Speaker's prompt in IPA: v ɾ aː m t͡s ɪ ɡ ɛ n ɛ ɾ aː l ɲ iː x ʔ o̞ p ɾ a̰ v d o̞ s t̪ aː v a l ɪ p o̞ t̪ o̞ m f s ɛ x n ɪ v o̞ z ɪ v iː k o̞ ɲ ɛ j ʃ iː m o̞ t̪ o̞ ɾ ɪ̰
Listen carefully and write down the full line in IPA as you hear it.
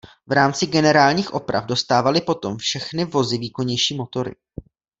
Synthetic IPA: v ɾ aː m t͡s ɪ ɡ ɛ n ɛ ɾ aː l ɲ iː x ʔ o̞ p ɾ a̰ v d o̞ s t̪ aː v a l ɪ p o̞ t̪ o̞ m f ʃ ɛ x n ɪ v o̞ z ɪ v iː k o̞ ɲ ɛ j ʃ iː m o̞ t̪ o̞ ɾ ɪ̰